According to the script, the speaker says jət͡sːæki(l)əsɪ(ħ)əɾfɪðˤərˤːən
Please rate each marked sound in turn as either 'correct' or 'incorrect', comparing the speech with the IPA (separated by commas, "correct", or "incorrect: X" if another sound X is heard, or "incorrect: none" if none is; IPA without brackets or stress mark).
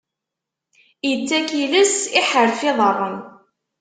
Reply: correct, correct